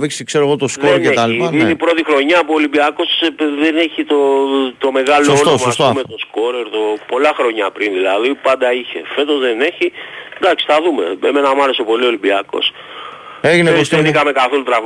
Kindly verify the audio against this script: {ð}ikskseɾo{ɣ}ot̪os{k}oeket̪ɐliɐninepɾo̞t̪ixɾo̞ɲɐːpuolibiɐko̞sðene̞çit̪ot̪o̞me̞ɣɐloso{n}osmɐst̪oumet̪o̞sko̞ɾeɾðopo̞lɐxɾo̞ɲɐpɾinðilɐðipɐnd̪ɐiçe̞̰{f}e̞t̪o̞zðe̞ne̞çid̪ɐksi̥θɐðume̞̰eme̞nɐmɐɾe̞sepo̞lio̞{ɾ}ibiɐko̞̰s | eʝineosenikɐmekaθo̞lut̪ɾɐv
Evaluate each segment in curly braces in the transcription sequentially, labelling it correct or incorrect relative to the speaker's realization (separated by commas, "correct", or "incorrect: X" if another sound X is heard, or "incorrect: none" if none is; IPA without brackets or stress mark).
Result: incorrect: v, correct, correct, correct, correct, incorrect: l